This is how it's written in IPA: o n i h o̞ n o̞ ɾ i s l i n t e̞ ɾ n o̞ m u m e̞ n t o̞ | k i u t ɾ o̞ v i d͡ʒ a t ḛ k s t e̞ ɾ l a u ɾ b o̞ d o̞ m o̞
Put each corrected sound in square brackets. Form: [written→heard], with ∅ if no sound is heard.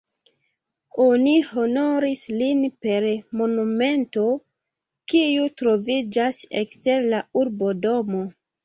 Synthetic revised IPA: o n i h o̞ n o̞ ɾ i s l i n [t→p] e̞ ɾ [n→m] o̞ [m→n] u m e̞ n t o̞ | k i u t ɾ o̞ v i d͡ʒ a [t→s] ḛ k s t e̞ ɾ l a u ɾ b o̞ d o̞ m o̞